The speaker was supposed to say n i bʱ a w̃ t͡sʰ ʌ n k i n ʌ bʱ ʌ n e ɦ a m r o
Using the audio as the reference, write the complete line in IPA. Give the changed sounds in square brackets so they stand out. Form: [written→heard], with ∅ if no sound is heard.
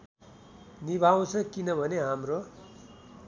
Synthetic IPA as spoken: n i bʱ a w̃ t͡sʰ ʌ [n→∅] k i n ʌ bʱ ʌ n e ɦ a m r o